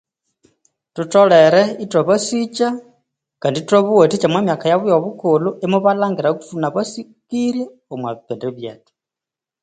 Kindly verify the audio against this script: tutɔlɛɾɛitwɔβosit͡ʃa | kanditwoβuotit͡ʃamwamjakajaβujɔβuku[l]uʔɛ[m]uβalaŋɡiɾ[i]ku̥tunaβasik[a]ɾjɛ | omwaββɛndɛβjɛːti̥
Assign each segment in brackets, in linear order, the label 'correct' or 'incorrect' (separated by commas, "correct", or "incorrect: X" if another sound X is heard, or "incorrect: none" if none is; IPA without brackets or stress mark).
correct, correct, incorrect: a, incorrect: i